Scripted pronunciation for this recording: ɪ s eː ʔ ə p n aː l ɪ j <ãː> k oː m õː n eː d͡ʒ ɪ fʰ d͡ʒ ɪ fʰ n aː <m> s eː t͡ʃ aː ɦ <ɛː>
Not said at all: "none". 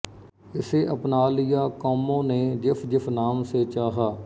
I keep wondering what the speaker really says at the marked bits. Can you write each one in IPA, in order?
aː, m, aː

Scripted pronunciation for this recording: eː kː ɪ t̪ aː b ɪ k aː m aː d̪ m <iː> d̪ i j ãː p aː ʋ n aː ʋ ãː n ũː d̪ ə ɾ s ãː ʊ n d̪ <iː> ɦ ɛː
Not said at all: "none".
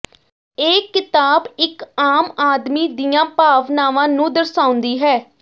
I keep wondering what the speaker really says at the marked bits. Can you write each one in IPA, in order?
iː, iː

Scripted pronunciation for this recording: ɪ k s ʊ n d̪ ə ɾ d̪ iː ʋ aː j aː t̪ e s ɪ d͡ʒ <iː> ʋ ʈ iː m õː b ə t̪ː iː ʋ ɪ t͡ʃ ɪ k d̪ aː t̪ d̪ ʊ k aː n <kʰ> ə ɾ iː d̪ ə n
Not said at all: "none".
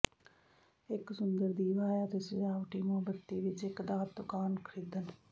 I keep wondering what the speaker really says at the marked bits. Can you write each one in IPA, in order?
aː, kʰ

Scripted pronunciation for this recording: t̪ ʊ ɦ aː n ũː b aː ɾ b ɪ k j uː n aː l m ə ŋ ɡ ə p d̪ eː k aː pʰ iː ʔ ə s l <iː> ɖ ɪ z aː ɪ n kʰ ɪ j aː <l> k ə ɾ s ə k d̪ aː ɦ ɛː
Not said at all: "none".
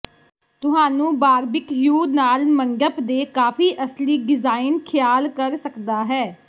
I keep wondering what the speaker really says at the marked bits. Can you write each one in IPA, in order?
iː, l

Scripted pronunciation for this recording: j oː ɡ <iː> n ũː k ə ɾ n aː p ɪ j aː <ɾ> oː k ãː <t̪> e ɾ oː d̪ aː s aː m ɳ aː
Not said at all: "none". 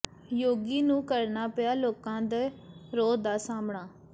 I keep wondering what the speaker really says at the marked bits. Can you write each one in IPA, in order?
iː, l, d̪

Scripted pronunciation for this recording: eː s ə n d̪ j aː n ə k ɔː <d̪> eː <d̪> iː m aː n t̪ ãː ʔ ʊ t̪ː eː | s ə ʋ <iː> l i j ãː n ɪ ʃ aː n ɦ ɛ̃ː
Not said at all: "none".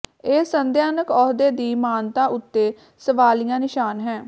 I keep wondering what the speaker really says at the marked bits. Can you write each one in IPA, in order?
d̪, d̪, aː

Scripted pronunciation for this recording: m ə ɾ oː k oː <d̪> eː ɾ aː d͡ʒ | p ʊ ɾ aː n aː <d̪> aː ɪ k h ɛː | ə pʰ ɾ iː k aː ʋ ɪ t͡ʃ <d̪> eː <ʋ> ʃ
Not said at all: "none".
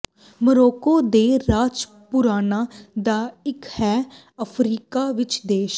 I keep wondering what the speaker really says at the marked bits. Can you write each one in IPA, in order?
d̪, d̪, d̪, none

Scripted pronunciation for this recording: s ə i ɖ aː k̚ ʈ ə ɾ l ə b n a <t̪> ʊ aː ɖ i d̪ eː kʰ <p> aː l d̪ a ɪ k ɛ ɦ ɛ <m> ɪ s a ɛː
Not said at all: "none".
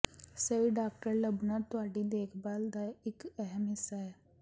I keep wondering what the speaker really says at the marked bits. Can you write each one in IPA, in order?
t̪, b, m

